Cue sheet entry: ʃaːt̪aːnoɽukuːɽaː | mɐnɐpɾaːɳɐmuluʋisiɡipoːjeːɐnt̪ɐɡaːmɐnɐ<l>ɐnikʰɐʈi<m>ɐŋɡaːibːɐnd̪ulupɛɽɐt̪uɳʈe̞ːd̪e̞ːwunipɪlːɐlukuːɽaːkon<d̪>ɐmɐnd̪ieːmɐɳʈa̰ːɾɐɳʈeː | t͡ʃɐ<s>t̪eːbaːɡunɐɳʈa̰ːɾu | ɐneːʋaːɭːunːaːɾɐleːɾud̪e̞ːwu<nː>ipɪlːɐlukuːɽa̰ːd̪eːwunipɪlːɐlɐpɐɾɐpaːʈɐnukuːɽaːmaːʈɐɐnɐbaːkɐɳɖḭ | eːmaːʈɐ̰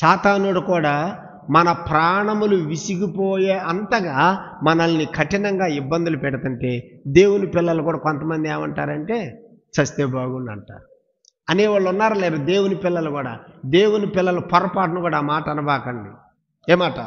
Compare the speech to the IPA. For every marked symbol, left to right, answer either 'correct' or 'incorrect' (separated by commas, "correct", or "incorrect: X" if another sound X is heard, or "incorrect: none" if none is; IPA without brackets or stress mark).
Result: correct, incorrect: n, incorrect: t̪, correct, incorrect: n